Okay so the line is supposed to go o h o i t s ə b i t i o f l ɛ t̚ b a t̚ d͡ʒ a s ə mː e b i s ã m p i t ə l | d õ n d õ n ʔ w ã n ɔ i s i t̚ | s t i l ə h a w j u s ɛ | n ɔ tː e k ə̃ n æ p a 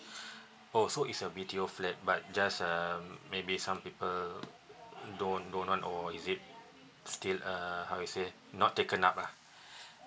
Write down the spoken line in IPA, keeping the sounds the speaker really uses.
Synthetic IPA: o s o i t s ə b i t i o f l ɛ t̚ b a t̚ d͡ʒ a s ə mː e b i s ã m p i p ə l | d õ n d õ n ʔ w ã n ɔ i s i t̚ | s t i l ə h a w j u s e | n ɔ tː e k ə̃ n a p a